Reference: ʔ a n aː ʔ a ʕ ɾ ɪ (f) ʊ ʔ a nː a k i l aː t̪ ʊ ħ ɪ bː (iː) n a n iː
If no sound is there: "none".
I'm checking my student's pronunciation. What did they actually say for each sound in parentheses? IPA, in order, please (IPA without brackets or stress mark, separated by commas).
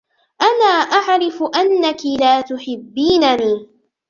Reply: f, iː